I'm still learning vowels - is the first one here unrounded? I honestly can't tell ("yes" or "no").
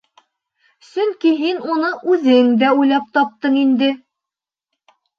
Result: no